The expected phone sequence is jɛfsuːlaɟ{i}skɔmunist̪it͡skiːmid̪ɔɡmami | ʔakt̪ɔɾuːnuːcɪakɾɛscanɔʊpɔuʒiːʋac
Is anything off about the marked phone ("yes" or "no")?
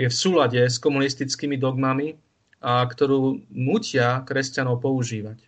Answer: yes